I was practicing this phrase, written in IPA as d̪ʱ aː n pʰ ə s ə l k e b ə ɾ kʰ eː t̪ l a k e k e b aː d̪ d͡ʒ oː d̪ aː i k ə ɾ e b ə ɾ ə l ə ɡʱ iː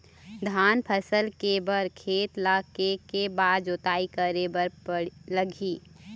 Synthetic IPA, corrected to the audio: d̪ʱ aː n pʰ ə s ə l k e b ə ɾ kʰ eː t̪ l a k e k e b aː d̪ d͡ʒ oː t̪ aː i k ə ɾ e b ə ɾ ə l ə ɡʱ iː